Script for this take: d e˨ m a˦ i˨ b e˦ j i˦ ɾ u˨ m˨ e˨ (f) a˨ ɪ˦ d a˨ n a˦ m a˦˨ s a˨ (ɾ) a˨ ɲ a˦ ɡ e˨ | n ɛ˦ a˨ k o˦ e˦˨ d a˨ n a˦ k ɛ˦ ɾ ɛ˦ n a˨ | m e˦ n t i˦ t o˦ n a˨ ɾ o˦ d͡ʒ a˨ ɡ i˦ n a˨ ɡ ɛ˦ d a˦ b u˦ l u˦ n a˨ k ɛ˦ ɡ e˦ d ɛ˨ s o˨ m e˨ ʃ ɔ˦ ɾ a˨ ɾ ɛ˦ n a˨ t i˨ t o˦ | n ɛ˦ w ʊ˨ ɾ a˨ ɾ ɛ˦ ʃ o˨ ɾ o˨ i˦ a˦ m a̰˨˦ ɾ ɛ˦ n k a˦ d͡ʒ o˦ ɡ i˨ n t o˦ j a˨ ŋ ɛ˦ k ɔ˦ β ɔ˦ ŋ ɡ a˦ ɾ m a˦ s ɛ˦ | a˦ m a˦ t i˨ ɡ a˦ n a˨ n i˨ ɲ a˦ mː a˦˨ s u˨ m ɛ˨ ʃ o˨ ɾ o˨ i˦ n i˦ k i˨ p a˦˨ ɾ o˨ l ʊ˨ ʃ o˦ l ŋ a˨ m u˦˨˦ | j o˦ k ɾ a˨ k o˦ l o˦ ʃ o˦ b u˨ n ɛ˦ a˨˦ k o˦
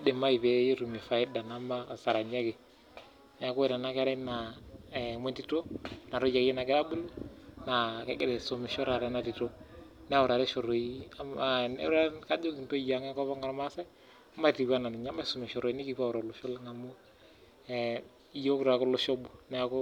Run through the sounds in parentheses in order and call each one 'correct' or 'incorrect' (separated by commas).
correct, correct